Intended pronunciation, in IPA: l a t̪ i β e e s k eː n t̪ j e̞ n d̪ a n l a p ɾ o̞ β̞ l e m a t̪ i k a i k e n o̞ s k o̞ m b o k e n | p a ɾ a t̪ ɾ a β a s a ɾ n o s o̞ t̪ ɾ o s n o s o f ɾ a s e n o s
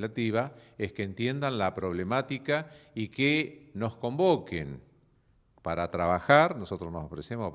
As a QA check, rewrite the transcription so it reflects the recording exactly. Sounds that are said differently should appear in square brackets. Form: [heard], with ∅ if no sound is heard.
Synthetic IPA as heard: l a t̪ i β [a] e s k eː n t̪ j e̞ n d̪ a n l a p ɾ o̞ β̞ l e m a t̪ i k a i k e n o̞ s k o̞ m b o k e n | p a ɾ a t̪ ɾ a β a [x] a ɾ n o s o̞ t̪ ɾ o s n o s o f ɾ [e] s e [m] o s